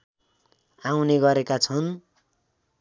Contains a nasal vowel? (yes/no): no